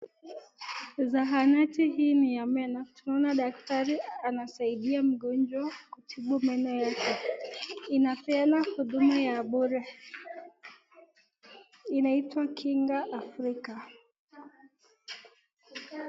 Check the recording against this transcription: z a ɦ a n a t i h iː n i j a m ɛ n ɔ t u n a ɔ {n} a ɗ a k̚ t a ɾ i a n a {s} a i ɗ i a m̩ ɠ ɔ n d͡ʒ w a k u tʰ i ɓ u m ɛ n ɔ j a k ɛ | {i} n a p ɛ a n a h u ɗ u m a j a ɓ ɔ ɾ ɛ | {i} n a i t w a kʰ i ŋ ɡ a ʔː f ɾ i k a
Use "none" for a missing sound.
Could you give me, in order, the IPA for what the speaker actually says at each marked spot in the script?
n, s, i, i

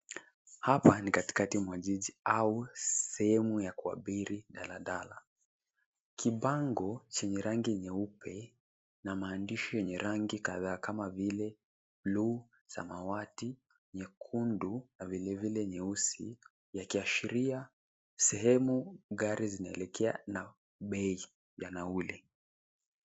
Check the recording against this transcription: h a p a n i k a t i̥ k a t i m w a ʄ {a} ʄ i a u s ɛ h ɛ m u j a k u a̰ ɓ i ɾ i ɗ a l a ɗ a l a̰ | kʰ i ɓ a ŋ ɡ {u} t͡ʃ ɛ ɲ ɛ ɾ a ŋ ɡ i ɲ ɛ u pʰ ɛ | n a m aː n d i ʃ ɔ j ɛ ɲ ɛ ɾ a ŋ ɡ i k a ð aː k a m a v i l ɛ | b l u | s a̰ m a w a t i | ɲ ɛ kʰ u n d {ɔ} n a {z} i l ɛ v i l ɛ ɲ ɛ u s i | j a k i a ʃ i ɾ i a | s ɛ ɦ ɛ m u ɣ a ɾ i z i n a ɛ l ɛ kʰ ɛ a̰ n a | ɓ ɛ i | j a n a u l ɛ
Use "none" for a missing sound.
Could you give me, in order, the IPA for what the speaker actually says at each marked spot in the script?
i, ɔ, u, v

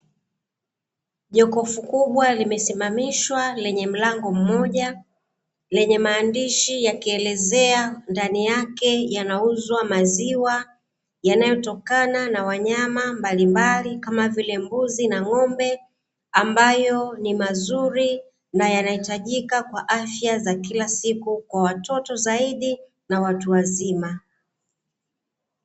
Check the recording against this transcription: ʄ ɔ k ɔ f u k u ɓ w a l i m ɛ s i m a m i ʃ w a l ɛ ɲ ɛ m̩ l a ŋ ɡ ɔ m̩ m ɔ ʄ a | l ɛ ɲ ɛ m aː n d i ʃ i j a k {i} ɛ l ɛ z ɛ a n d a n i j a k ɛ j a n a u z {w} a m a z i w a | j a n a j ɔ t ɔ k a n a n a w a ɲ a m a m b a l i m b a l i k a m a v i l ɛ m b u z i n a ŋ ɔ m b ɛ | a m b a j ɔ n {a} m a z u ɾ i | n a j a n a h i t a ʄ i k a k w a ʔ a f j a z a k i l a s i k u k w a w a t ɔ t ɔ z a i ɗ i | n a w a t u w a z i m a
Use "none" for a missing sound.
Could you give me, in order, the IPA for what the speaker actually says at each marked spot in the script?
i, w, i

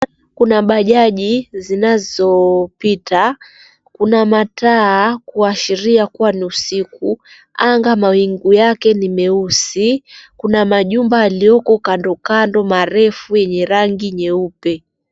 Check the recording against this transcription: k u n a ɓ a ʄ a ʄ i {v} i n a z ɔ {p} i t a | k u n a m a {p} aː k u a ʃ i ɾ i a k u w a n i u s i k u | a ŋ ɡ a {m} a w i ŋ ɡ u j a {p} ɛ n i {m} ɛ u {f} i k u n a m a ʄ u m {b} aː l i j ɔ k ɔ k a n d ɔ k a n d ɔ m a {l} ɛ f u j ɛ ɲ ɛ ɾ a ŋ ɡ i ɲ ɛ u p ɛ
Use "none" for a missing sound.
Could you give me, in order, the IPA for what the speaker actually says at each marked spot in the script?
z, p, t, m, k, m, s, b, ɾ

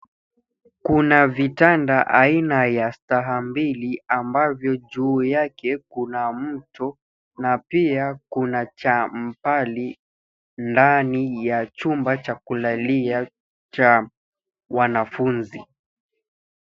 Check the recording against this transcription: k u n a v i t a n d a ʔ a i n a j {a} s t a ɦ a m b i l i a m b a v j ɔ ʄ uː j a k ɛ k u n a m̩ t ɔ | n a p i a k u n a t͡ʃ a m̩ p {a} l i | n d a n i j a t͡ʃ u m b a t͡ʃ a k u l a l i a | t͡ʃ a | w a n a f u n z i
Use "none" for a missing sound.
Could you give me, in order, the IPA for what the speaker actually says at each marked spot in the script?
a, a

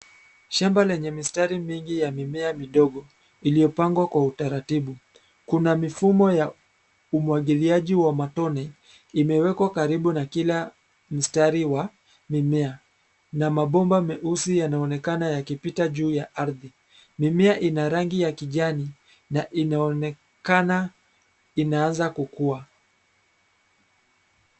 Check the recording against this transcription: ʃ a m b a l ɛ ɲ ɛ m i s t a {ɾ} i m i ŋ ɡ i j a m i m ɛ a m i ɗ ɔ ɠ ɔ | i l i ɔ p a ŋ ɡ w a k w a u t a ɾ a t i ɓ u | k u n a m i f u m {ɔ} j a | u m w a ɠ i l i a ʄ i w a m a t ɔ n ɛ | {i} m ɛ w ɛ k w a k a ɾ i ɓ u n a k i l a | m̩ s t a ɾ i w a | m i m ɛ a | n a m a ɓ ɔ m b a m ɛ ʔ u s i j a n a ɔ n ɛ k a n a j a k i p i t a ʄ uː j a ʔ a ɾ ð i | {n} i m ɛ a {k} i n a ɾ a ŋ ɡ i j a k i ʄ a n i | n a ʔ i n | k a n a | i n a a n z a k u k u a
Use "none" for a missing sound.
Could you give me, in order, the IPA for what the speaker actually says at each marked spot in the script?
ɾ, ɔ, i, m, ʔ

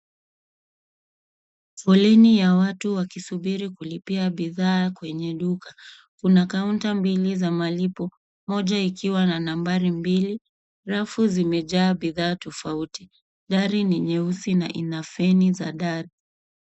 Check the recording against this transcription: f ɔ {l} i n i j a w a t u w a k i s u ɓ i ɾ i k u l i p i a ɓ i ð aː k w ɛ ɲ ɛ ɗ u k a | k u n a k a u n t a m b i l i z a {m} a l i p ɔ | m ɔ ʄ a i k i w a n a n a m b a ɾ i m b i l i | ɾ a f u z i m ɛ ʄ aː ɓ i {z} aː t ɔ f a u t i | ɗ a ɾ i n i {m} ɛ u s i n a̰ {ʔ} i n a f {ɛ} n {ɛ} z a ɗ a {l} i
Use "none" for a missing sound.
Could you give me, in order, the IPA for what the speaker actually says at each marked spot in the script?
l, m, ð, ɲ, ʔ, ɛ, i, ɾ

